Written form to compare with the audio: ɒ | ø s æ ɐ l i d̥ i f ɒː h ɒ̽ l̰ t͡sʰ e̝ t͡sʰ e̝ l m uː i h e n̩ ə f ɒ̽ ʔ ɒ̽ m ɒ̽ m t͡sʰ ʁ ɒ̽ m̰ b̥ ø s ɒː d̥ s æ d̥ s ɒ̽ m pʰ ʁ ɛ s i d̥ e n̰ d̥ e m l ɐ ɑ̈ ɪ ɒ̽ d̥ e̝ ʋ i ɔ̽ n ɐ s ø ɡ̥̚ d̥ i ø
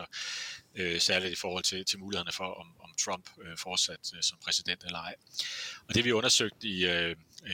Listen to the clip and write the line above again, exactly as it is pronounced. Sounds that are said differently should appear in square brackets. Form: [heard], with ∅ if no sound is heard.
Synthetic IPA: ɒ | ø s æ ɐ l i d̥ i f ɒː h ɒ̽ l̰ t͡sʰ e̝ t͡sʰ e̝ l m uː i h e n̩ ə f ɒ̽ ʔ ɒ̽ m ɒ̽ m t͡sʰ ʁ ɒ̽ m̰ b̥ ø [f] ɒː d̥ s æ d̥ s ɒ̽ m pʰ ʁ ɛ s i d̥ e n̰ d̥ e [∅] l ɐ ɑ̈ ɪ ɒ̽ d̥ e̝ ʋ i ɔ̽ n ɐ s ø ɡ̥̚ d̥ i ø